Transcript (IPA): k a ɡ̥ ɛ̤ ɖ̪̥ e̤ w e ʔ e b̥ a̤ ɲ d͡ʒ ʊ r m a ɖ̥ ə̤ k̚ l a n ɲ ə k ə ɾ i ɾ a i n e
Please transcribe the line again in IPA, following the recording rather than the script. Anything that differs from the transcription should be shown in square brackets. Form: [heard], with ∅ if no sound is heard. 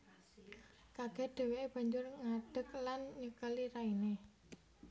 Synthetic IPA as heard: k a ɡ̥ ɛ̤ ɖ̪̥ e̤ w e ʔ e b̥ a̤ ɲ d͡ʒ ʊ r [ŋ] a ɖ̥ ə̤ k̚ l a n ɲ ə k ə [l] i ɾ a i n e